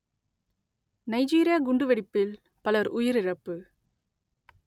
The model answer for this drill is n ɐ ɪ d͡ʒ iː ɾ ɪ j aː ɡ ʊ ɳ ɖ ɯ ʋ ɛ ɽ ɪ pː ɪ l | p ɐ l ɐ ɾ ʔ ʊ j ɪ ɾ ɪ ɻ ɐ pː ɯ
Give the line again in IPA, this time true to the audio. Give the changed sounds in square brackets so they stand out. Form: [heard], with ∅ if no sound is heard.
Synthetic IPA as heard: n ɐ ɪ d͡ʒ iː ɾ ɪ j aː ɡ ʊ ɳ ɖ ɯ ʋ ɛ ɽ ɪ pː ɪ l | p ɐ l ɐ ɾ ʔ ʊ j ɪ ɾ ɪ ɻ ɐ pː ɯ